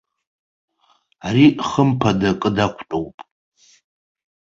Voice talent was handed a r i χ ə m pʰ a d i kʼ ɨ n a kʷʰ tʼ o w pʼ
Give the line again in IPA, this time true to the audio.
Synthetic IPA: a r i χ ə m pʰ a d a kʼ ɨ d a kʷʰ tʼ o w pʼ

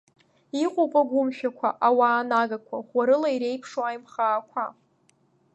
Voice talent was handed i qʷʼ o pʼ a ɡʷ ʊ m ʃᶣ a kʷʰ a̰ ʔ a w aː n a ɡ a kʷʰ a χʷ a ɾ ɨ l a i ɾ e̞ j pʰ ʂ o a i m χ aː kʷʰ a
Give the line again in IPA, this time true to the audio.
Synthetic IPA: i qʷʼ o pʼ a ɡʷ ʊ m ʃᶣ a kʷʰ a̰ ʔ a w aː n a ɡ a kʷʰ a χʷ a ɾ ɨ l a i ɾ e̞ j pʰ ʂ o a j m χ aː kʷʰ a

